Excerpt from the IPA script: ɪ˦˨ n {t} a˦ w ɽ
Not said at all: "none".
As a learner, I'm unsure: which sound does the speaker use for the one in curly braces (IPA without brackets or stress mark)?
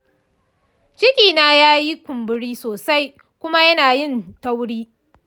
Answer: t